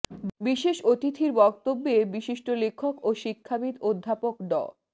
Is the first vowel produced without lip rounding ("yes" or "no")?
yes